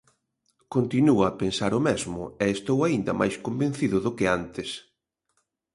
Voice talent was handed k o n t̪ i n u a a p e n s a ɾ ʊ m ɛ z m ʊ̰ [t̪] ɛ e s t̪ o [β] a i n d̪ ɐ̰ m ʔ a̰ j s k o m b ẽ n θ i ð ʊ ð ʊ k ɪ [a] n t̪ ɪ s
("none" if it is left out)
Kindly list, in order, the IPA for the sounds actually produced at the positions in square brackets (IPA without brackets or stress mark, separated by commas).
none, w, a